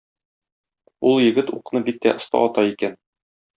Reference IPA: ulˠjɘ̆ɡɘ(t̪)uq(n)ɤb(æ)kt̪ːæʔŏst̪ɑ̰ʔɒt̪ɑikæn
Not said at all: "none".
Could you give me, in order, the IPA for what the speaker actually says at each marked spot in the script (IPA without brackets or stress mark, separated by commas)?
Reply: t̪, n, i